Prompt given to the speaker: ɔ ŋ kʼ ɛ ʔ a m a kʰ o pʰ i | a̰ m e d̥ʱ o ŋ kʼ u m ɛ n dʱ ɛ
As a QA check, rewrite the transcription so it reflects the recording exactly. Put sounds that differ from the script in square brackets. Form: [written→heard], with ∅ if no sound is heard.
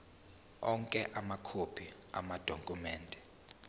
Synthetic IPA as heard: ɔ ŋ kʼ ɛ ʔ a m a kʰ o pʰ i | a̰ m [e→a] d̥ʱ o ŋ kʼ u m [ɛ→ɛː] n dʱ ɛ